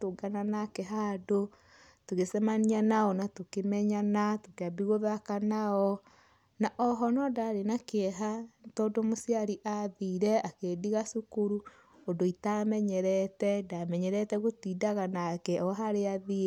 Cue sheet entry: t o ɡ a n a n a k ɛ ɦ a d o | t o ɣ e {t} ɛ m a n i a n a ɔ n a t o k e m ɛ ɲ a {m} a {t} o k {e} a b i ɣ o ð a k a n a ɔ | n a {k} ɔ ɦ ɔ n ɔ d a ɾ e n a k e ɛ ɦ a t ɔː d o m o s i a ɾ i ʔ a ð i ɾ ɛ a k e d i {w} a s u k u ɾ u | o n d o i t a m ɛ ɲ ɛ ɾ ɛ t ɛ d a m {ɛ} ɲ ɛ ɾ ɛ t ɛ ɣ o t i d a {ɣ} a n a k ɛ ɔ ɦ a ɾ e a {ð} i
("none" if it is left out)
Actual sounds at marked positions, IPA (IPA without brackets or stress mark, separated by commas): s, n, t, e, ʔ, ɣ, ɛ, ɣ, ð